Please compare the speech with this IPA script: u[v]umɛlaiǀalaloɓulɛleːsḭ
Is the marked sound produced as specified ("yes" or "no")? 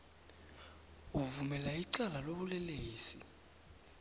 yes